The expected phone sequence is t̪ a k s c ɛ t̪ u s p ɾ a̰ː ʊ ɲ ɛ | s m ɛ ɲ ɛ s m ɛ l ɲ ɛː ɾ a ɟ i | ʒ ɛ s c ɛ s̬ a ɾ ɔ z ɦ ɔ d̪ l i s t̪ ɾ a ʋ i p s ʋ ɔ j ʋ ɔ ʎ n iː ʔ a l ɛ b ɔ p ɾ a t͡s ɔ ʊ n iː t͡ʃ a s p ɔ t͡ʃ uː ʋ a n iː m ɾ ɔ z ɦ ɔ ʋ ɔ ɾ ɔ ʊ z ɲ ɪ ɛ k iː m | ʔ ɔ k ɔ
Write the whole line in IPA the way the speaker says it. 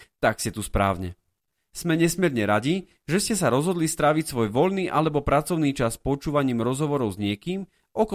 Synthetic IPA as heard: t̪ a k s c ɛ t̪ u s p ɾ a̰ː ʊ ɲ ɛ | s m ɛ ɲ ɛ s m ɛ ɾ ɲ ɛ ɾ a ɟ i | ʒ ɛ s c ɛ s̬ a ɾ ɔ z ɦ ɔ d̪ l i s t̪ ɾ a ʋ i c s ʋ ɔ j ʋ ɔ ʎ n iː ʔ a l ɛ b ɔ p ɾ a t͡s ɔ ʊ n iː t͡ʃ a s p ɔ t͡ʃ uː ʋ a ɲ iː m ɾ ɔ z ɦ ɔ ʋ ɔ ɾ ɔ ʊ z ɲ ɪ ɛ k iː m | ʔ ɔ k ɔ